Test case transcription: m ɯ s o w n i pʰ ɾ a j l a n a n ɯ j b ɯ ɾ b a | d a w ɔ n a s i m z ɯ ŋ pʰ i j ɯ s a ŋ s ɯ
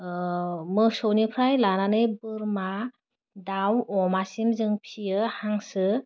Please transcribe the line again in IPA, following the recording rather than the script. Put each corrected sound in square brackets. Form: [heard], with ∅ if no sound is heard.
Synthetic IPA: m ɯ s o w n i pʰ ɾ a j l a n a n ɯ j b ɯ ɾ [m] a | d a w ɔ [m] a s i m z ɯ ŋ pʰ i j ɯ [h] a ŋ s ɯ